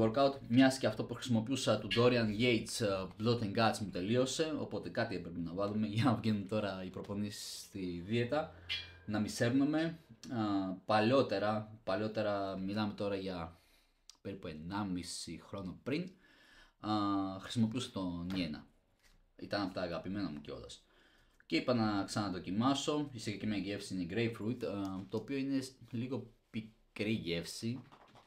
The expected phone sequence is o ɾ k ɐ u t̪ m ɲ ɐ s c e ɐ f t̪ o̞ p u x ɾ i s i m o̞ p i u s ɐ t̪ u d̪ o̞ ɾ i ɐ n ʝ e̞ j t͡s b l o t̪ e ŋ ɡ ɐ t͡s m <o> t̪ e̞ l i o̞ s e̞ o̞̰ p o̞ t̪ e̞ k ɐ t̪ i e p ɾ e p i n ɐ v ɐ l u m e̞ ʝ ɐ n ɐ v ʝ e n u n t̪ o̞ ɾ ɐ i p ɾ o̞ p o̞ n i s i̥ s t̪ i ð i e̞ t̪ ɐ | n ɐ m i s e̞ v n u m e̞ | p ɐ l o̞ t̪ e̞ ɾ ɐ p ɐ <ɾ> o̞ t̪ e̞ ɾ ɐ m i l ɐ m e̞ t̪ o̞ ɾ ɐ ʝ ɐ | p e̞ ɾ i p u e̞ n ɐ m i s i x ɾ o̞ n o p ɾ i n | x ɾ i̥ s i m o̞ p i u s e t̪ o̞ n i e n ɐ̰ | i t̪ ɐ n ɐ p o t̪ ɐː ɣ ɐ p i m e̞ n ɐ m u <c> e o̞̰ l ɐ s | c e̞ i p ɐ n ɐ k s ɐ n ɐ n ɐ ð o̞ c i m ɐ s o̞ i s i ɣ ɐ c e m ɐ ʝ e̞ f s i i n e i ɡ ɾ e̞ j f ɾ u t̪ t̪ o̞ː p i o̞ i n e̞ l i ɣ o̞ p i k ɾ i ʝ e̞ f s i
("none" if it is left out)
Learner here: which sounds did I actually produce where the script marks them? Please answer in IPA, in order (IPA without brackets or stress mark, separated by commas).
u, l, c